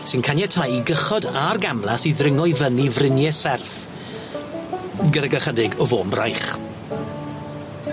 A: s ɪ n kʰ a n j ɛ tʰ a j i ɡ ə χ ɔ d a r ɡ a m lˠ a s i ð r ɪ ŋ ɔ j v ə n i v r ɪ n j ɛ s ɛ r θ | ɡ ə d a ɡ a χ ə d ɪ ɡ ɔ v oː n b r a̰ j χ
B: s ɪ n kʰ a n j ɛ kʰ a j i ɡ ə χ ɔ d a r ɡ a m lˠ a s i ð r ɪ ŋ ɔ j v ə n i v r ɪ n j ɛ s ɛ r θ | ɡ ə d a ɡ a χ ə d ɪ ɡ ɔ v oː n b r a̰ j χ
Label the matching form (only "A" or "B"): A